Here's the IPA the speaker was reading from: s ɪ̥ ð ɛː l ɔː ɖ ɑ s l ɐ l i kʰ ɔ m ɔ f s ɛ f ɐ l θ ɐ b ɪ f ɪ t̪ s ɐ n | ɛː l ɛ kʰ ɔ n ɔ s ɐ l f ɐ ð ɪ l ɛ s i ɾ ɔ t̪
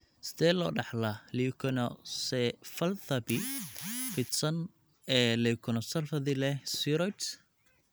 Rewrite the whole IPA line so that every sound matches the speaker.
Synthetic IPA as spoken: s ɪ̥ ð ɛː l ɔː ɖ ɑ ħ l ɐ l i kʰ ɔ n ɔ s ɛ f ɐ l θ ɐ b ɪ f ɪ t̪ s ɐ n | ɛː l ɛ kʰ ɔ n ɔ s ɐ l f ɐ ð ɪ l ɛ s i ɾ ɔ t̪

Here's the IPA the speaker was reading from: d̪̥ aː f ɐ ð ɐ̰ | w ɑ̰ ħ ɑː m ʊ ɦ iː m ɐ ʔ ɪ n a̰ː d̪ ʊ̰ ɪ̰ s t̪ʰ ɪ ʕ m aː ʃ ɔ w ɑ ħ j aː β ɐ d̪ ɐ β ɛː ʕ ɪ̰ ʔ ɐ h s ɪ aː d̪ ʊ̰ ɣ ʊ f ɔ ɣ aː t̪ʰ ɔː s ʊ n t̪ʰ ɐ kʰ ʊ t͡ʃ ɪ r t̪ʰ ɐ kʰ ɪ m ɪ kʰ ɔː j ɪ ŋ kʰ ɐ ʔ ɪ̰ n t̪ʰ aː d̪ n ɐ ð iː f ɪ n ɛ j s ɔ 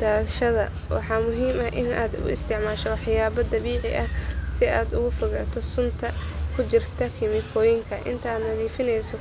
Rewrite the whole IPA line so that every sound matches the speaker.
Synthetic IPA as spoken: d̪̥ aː ʃ ɐ ð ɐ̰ | w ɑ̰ ħ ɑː m ʊ ɦ iː m ɐ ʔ ɪ n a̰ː d̪ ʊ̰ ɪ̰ s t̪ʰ ɪ ʕ m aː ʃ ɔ w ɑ ħ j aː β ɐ d̪ ɐ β iː ʕ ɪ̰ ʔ ɐ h s ɪ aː d̪ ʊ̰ ɣ ʊ f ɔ ɣ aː t̪ʰ ɔ s ʊ n t̪ʰ ɐ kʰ ʊ t͡ʃ ɪ r t̪ʰ ɐ kʰ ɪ m ɪ kʰ ɔː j ɪ ŋ kʰ ɐ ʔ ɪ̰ n t̪ʰ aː d̪ n ɐ ð iː f ɪ n ɛ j s ɔ

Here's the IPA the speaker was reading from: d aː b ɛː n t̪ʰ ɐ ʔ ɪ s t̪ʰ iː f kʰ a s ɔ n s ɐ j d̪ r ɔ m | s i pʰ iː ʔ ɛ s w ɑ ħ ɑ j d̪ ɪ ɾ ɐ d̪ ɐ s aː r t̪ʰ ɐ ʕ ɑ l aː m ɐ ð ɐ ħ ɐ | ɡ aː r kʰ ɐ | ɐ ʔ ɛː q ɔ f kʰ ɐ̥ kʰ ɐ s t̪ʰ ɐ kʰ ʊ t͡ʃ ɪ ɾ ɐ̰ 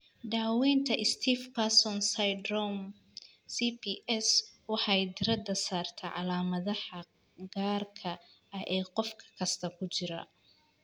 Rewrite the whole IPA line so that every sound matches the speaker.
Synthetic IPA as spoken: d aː w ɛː n t̪ʰ ɐ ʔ ɪ s t̪ʰ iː f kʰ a s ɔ n s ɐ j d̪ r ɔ m | s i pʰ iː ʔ ɛ s w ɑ ħ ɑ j d̪ ɪ ɾ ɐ d̪ ɐ s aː r t̪ʰ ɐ ʕ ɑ l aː m ɐ ð ɐ ħ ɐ | ɡ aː r kʰ ɐ | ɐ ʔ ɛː q ɔ f kʰ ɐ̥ kʰ ɐ s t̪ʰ ɐ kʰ ʊ t͡ʃ ɪ ɾ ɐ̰

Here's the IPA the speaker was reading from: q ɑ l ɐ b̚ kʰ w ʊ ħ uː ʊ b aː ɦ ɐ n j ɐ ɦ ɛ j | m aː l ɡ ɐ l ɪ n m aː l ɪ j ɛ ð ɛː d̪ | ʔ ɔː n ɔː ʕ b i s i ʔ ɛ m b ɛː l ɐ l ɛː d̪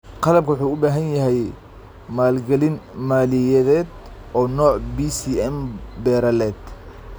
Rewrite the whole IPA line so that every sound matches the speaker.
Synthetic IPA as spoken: q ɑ l ɐ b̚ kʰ w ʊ ħ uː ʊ b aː ɦ ɐ n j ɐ ɦ ɛ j | m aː l ɡ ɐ l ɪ n m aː l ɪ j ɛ ð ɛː d̪ | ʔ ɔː n ɔː ʕ b i s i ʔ ɛ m b ɛː ɾ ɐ l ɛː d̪

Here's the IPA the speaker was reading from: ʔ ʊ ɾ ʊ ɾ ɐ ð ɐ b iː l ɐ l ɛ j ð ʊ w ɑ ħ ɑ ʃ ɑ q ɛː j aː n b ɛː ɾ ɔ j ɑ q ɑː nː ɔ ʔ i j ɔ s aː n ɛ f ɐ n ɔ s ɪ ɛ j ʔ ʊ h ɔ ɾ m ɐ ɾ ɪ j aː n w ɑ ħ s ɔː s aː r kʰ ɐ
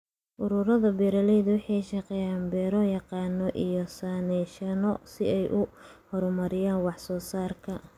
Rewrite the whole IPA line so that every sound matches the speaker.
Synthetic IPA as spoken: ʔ ʊ ɾ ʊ ɾ ɐ ð ɐ b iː ɾ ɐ l ɛ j ð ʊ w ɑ ħ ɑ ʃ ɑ q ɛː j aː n b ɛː ɾ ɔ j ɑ q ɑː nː ɔ ʔ i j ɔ s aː n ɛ ʃ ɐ n ɔ s ɪ ɛ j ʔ ʊ h ɔ ɾ m ɐ ɾ ɪ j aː n w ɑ ħ s ɔː s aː r kʰ ɐ

